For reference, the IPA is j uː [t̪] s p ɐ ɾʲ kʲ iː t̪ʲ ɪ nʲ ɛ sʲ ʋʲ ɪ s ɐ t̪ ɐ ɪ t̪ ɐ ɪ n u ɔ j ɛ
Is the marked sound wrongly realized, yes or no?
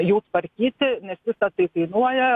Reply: yes